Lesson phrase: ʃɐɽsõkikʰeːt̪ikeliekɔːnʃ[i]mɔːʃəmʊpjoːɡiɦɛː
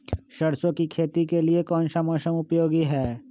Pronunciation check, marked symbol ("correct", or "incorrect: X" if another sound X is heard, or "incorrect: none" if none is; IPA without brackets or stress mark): incorrect: a